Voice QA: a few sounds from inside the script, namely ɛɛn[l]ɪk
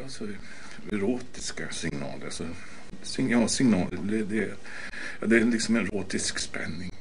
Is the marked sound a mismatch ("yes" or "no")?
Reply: no